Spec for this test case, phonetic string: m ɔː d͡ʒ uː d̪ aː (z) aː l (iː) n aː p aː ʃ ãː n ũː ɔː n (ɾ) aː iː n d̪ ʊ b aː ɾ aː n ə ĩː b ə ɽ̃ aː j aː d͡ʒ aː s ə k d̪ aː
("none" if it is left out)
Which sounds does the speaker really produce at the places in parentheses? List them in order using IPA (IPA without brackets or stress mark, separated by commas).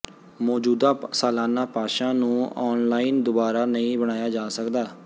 s, aː, l